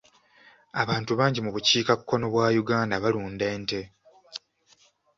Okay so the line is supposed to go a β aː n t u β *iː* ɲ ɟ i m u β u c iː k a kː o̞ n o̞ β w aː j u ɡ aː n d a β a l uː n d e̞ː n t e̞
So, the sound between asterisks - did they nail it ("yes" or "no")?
no